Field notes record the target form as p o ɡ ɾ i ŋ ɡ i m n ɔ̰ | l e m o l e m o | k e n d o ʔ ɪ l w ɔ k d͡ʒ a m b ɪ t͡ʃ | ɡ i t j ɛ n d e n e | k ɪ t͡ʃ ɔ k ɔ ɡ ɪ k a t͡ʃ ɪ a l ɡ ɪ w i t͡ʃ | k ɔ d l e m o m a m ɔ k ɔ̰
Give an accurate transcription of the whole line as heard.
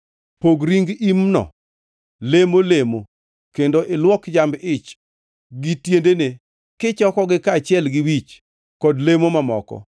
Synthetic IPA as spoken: p o ɡ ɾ i ŋ ɡ i m n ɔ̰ | l e m o l e m o | k e n d o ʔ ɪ l w ɔ k d͡ʒ a m b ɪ t͡ʃ | ɡ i t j e n d e n e | k ɪ t͡ʃ ɔ k ɔ ɡ ɪ k a t͡ʃ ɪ ɛ l ɡ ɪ w i t͡ʃ | k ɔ d l e m o m a m ɔ k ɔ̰

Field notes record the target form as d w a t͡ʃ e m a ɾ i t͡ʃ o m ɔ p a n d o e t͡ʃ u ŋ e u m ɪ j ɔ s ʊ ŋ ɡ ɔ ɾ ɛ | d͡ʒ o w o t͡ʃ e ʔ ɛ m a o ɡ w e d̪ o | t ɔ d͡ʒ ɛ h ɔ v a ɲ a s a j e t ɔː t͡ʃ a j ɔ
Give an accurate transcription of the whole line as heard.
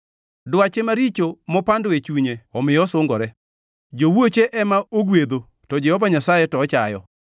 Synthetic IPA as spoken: d w a t͡ʃ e m a ɾ i t͡ʃ o m ɔ p a n d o e t͡ʃ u ɲ e ɔ m ɪ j ɔ s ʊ ŋ ɡ ɔ ɾ ɛ | d͡ʒ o w o t͡ʃ e ʔ ɛ m a o ɡ w e d̪ o | t ɔ d͡ʒ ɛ h ɔ v a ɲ a s a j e t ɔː t͡ʃ a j ɔ

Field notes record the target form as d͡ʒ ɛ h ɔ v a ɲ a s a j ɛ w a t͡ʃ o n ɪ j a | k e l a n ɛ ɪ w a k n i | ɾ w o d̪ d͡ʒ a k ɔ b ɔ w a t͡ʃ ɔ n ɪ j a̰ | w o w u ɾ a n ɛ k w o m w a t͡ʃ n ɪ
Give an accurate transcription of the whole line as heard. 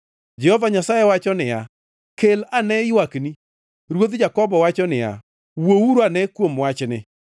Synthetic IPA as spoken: d͡ʒ ɛ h ɔ v a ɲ a s a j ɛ w a t͡ʃ ɔ n ɪ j a | k e l a n ɛ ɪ w a k n i | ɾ w o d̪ d͡ʒ a k ɔ b ɔ w a t͡ʃ ɔ n ɪ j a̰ | w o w u ɾ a n ɛ k w o m w a t͡ʃ n ɪ

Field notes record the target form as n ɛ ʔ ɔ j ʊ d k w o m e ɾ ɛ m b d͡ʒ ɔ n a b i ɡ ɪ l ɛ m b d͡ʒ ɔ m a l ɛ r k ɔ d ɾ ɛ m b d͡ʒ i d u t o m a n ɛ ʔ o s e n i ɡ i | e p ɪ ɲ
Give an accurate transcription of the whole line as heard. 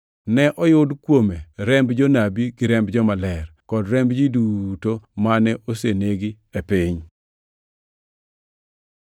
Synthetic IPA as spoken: n ɛ ʔ ɔ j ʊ d k w o m e ɾ ɛ m b d͡ʒ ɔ n a b i ɡ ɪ ɾ ɛ m b d͡ʒ ɔ m a l ɛ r k ɔ d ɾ ɛ m b d͡ʒ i d u t o m a n ɛ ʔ o s e n e ɡ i | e p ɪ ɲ

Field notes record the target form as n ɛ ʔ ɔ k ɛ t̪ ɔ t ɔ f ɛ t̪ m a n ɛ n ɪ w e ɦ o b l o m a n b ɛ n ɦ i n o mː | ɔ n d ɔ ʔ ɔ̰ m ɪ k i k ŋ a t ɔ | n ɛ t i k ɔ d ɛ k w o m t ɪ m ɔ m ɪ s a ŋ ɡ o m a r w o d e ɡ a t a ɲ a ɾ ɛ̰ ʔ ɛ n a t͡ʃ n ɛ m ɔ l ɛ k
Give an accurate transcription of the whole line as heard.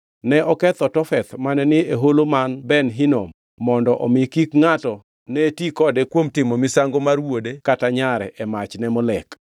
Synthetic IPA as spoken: n ɛ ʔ ɔ k ɛ t̪ ɔ t ɔ f ɛ t̪ m a n ɛ n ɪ e ɦ o l o m a n b ɛ n ɦ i n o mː | ɔ n d ɔ ʔ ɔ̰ m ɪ k i k ŋ a t ɔ | n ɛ t i k ɔ d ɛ k w o m t ɪ m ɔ m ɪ s a ŋ ɡ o m a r w o d e k a t a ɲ a ɾ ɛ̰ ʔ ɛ m a t͡ʃ n ɛ m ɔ l ɛ k

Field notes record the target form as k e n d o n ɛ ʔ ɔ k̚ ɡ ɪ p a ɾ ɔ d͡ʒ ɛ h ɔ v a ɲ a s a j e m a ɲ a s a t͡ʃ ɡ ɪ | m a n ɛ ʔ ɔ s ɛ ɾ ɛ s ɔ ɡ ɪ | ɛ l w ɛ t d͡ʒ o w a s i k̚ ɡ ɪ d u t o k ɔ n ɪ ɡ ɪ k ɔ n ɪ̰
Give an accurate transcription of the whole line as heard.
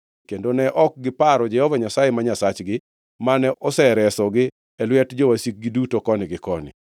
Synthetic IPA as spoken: k e n d o n ɛ ʔ ɔ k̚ ɡ ɪ p a ɾ ɔ d͡ʒ ɛ h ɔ v a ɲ a s a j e m a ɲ a s a t͡ʃ ɡ ɪ | m a n ɛ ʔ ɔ s ɛ ɾ ɛ s ɔ ɡ ɪ | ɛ l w ɛ t d͡ʒ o w a s i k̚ ɡ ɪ d u t o k ɔ n ɪ ɡ ɪ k ɔ n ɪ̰

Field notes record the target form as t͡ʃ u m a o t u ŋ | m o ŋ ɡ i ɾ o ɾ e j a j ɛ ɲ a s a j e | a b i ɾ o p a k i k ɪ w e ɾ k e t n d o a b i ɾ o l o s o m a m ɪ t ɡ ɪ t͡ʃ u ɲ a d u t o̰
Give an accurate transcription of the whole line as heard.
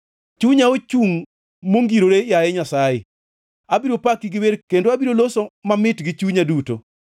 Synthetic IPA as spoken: t͡ʃ u ɲ a o t͡ʃ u ŋ | m o ŋ ɡ i ɾ o ɾ e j a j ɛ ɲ a s a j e | a b i ɾ o p a k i ɡ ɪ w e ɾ k e n d o a b i ɾ o l o s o m a m ɪ t ɡ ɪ t͡ʃ u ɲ a d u t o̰

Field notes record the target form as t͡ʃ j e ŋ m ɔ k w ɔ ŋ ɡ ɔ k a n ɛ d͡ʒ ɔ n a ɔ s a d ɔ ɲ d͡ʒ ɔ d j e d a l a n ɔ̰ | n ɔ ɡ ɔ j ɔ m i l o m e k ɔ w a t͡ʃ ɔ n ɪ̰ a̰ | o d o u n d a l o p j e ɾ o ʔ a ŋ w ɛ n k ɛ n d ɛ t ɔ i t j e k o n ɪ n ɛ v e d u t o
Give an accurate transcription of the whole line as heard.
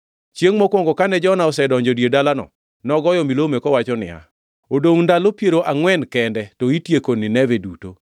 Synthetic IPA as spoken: t͡ʃ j e ŋ m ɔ k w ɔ ŋ ɡ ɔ k a n ɛ d͡ʒ ɔ n a ɔ s ɛ d ɔ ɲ d͡ʒ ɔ d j e d a l a n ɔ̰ | n ɔ ɡ ɔ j ɔ m i l o m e k ɔ w a t͡ʃ ɔ n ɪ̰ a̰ | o d o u n d a l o p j e ɾ o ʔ a ŋ w ɛ n k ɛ n d ɛ t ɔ i t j e k o n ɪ n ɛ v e d u t o

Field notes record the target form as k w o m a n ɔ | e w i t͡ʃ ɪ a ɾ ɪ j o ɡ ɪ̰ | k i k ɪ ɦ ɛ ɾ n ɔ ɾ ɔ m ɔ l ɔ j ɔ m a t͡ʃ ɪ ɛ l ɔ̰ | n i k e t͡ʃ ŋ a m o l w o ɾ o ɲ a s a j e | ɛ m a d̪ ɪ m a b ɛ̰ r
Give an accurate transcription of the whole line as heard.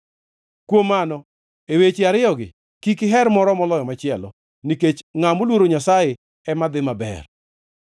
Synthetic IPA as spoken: k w o m a n ɔ | e w e t͡ʃ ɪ a ɾ ɪ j ɔ ɡ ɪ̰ | k i k ɪ ɦ ɛ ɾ m ɔ ɾ ɔ m ɔ l ɔ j ɔ m a t͡ʃ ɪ ɛ l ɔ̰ | n i k e t͡ʃ ŋ a m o l w o ɾ o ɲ a s a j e | ɛ m a d̪ ɪ m a b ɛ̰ r

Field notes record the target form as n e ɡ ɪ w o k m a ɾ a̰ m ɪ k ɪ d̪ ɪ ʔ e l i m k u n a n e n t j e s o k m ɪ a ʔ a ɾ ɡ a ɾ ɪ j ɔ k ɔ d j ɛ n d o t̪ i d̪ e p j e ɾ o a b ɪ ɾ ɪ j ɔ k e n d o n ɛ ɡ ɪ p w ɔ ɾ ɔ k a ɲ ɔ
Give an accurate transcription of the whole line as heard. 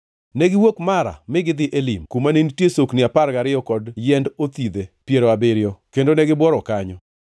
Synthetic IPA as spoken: n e ɡ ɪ w o k m a ɾ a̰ m ɪ ɡ ɪ d̪ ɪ ʔ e l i m k u m a n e n t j e s o k n ɪ a p a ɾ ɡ a ɾ ɪ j ɔ k ɔ d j ɛ n d o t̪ i d̪ e p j e ɾ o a b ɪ ɾ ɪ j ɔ k e n d o n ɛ ɡ ɪ b w ɔ ɾ ɔ k a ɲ ɔ

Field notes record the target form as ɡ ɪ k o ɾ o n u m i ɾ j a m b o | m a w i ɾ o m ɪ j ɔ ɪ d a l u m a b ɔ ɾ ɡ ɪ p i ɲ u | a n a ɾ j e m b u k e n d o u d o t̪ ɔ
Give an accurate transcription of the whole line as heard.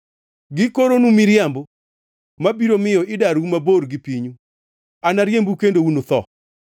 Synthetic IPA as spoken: ɡ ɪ k o ɾ o n u m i ɾ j a m b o | m a b i ɾ o m ɪ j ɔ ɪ d a ɾ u m a b o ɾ ɡ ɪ p i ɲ u | a n a ɾ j e m b u k e n d o u n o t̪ ɔ

